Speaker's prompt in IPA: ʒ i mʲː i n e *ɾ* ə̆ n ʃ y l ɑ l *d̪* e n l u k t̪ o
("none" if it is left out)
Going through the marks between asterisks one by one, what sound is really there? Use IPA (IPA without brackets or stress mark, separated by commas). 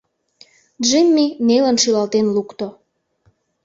l, t̪